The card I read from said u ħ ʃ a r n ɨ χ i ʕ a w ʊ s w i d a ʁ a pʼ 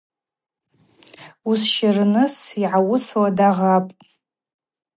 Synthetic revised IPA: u s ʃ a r n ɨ s i ʕ a w ʊ s w a d a ʁ a pʼ